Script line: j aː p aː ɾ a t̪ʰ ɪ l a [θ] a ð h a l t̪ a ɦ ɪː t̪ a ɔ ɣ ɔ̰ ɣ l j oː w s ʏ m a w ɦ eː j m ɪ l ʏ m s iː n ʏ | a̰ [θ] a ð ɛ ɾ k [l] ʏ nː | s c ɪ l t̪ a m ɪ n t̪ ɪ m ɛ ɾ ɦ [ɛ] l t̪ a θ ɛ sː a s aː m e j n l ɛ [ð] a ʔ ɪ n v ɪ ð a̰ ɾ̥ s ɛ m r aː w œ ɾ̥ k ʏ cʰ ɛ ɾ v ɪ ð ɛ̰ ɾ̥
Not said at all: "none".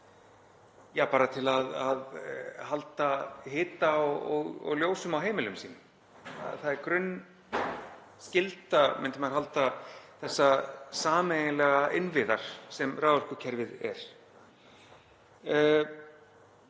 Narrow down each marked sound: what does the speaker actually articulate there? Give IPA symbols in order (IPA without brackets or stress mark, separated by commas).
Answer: ð, θ, ɾ, a, ɣ